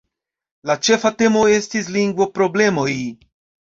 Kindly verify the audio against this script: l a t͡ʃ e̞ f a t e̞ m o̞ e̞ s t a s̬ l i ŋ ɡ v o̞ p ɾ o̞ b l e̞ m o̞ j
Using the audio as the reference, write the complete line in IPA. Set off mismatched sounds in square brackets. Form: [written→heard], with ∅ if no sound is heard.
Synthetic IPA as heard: l a t͡ʃ e̞ f a t e̞ m o̞ e̞ s t [a→i] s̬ l i ŋ ɡ v o̞ p ɾ o̞ b l e̞ m o̞ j